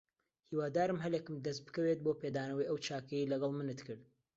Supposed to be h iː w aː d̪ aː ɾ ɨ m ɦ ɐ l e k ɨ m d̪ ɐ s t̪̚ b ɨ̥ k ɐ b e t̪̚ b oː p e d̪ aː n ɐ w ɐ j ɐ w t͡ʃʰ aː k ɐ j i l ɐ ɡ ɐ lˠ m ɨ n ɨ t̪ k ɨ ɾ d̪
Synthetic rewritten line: h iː w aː d̪ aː ɾ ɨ m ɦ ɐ l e k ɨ m d̪ ɐ s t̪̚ b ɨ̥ k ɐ w e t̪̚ b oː p e d̪ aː n ɐ w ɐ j ɐ w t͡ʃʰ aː k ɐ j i l ɐ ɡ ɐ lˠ m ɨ n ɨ t̪ k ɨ ɾ d̪